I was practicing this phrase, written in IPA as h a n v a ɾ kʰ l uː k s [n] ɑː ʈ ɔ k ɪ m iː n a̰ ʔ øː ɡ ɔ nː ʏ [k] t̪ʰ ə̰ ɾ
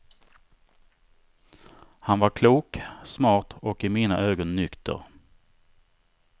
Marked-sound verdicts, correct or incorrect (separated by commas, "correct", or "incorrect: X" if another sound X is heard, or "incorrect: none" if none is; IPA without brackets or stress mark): incorrect: m, correct